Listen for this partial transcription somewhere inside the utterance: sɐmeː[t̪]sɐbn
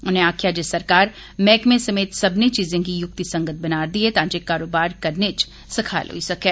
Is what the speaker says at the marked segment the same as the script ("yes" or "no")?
yes